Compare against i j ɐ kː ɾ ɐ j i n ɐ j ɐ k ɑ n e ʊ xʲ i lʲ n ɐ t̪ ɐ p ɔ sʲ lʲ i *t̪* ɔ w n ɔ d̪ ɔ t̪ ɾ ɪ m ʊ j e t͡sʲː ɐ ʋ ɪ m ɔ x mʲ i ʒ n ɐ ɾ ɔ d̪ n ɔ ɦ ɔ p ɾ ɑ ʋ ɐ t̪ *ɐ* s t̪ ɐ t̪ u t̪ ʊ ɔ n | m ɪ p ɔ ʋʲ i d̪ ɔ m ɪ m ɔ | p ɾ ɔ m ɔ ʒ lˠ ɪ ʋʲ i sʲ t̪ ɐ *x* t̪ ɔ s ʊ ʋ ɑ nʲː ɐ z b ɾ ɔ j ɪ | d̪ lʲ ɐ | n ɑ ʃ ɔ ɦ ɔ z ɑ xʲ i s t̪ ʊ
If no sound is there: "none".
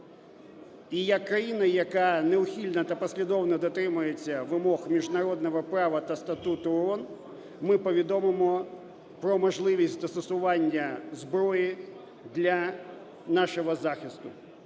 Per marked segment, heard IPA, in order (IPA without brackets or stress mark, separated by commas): d̪, ɐ, s